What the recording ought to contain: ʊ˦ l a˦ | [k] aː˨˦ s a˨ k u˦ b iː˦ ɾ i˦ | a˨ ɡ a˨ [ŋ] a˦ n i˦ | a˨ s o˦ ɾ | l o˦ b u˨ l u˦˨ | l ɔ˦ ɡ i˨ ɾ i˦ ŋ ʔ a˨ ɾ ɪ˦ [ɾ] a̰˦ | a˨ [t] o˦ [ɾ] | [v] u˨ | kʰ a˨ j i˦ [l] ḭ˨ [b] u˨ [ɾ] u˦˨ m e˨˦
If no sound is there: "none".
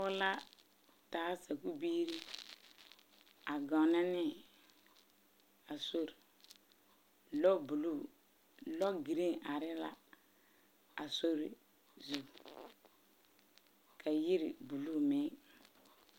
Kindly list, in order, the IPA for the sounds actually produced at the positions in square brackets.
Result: t, n, l, s, ɾ, z, ɾ, b, l

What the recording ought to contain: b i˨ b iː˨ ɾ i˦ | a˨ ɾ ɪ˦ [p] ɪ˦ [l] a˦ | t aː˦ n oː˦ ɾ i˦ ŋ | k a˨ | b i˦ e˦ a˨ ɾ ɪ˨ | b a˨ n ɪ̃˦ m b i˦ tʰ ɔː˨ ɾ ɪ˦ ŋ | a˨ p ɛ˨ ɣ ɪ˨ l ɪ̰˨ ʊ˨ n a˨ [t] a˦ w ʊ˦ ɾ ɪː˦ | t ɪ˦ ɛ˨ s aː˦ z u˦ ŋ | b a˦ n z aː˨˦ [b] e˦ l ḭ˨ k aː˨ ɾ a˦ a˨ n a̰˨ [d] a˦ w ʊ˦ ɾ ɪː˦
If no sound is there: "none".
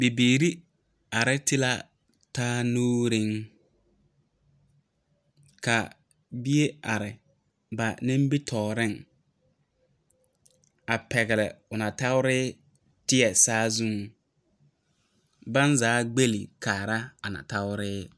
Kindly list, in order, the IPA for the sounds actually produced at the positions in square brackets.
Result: t, l, t, ɡ͡b, t

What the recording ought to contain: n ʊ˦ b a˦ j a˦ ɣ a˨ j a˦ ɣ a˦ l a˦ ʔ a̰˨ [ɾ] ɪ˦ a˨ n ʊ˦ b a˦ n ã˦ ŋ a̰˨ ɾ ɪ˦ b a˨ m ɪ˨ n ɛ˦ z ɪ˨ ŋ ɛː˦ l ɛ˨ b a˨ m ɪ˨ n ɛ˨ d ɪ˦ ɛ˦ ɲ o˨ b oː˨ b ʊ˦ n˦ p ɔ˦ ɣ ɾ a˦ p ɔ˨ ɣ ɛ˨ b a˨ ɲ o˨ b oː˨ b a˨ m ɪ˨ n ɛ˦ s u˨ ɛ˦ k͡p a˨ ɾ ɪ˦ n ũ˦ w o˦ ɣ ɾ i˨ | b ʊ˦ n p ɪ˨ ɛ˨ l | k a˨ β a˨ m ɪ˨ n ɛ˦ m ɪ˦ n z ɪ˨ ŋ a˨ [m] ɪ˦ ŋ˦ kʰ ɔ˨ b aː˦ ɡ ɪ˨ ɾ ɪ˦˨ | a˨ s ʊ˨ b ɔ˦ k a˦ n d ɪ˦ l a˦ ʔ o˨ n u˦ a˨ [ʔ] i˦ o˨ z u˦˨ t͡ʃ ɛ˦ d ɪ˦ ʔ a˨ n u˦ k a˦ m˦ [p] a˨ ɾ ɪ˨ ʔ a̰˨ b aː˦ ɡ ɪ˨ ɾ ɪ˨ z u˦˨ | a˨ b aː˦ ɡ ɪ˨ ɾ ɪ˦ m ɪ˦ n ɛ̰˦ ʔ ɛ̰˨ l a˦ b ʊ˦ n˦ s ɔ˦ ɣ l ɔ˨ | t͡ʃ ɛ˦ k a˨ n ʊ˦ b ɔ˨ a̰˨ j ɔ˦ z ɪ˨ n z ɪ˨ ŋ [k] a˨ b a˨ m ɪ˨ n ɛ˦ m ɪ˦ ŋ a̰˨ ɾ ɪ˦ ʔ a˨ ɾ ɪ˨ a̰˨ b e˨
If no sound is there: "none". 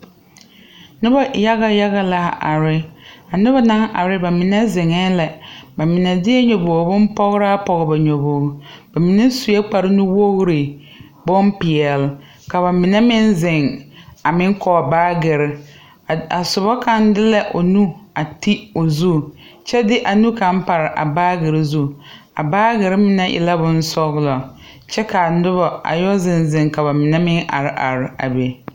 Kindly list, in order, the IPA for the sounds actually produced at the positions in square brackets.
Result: ɾ, m, t, p, k

